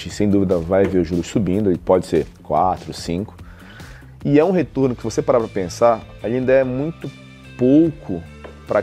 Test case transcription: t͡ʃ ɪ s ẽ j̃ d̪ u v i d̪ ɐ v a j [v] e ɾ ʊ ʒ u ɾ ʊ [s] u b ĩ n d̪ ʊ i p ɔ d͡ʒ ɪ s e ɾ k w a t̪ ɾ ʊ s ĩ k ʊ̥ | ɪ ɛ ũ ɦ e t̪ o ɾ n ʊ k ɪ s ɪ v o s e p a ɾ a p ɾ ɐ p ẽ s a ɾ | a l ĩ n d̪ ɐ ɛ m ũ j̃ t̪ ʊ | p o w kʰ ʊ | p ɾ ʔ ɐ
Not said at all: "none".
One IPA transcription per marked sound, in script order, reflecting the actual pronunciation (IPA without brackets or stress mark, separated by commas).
v, s